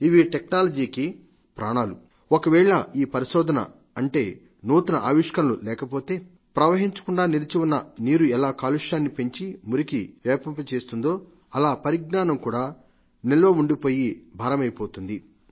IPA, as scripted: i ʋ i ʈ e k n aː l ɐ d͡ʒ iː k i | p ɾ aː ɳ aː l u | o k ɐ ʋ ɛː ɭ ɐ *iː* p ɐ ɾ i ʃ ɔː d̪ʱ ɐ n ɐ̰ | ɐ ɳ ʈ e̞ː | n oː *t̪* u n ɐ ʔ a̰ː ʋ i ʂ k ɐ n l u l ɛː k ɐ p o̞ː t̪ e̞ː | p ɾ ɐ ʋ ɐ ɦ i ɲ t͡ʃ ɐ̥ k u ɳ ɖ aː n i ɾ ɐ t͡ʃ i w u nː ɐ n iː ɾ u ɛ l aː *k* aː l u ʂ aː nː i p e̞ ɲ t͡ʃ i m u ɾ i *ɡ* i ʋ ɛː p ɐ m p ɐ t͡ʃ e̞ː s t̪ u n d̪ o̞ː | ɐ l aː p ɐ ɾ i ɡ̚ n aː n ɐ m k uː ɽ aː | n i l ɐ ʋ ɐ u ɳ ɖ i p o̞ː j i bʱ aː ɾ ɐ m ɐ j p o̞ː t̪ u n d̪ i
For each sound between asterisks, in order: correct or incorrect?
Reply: correct, correct, correct, incorrect

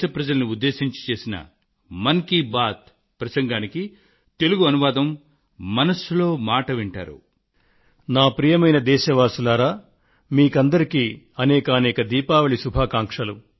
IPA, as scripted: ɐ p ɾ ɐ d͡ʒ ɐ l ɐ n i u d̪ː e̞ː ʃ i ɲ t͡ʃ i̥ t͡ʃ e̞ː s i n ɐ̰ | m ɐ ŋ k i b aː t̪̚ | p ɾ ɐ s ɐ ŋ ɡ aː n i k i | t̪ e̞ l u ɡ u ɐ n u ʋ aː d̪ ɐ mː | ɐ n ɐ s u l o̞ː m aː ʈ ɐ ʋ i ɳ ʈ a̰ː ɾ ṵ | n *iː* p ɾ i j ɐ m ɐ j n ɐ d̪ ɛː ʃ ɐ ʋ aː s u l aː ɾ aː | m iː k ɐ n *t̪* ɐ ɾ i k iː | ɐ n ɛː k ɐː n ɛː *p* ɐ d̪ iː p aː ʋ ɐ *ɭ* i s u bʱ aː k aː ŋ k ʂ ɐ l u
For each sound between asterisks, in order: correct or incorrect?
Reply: incorrect, incorrect, incorrect, correct

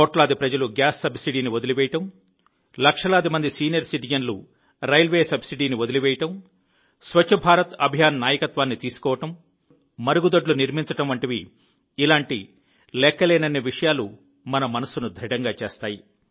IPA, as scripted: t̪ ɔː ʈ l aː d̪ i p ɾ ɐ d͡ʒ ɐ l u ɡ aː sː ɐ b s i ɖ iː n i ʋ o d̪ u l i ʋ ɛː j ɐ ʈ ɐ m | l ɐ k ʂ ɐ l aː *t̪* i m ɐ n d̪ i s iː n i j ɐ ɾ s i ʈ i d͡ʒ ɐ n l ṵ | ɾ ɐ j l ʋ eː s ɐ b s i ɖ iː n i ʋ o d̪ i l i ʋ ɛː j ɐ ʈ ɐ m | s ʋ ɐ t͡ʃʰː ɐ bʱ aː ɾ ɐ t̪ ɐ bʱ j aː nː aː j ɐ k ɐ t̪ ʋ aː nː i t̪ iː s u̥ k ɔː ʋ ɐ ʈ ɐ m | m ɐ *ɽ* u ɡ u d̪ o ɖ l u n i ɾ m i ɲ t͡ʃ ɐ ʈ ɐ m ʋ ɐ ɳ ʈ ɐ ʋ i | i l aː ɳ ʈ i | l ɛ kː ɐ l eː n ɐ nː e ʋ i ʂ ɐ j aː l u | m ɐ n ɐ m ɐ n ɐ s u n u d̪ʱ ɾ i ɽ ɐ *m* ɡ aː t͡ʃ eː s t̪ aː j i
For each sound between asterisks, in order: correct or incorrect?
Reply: incorrect, incorrect, incorrect

